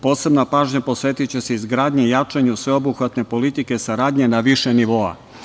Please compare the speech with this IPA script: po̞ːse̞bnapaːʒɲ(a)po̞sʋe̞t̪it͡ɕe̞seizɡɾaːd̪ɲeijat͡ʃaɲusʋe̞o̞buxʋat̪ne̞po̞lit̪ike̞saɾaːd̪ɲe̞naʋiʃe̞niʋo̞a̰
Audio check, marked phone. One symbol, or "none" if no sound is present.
a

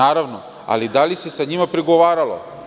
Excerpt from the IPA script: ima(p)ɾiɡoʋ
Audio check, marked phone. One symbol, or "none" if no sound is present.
p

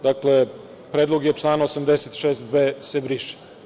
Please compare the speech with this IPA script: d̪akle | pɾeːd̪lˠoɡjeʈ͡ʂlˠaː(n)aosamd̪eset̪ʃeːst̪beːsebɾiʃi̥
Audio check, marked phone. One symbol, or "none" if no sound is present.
n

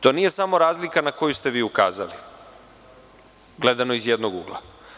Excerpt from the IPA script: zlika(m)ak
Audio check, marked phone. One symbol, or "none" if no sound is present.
n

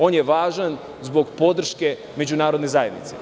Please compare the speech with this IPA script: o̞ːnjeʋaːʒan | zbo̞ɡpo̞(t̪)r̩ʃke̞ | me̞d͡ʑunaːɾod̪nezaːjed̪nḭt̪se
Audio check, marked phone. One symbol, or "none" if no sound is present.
d̪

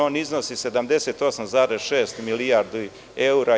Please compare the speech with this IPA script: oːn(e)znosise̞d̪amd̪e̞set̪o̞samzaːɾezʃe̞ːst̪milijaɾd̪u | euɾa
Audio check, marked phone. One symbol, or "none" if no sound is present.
i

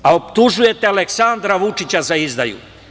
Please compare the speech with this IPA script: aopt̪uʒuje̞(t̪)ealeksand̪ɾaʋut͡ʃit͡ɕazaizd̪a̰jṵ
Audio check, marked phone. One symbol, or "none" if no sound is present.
t̪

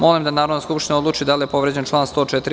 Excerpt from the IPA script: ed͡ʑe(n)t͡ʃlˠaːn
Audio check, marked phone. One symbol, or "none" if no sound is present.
n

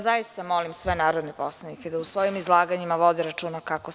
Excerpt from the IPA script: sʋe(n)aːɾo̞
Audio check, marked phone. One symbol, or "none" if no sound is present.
n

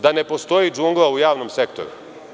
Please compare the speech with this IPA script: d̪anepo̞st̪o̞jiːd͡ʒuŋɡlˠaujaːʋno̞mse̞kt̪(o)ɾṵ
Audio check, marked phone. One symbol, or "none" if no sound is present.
o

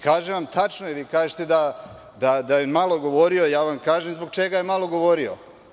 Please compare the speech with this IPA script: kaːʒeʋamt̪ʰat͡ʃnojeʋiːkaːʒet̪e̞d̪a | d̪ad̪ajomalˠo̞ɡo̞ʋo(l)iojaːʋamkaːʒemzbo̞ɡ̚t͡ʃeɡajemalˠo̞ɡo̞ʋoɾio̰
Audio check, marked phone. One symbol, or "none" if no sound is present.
ɾ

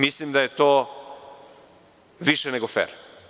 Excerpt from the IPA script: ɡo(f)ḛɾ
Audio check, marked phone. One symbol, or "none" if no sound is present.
f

